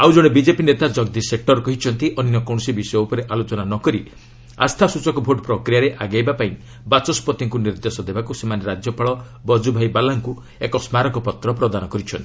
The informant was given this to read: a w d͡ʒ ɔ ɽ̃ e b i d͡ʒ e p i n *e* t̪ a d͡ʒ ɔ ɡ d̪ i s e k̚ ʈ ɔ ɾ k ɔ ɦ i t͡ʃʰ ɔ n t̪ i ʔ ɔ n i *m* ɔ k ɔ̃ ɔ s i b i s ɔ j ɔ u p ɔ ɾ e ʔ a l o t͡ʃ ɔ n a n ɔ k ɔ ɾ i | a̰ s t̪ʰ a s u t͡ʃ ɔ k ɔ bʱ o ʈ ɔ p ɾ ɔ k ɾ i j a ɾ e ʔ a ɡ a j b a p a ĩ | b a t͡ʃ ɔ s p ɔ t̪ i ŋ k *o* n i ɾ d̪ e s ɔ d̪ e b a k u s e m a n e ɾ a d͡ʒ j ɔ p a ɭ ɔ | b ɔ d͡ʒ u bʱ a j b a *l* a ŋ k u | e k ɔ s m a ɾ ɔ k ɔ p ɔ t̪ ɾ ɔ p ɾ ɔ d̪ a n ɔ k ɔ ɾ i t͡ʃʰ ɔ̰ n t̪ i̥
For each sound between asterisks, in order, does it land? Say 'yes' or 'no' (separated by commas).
yes, no, no, yes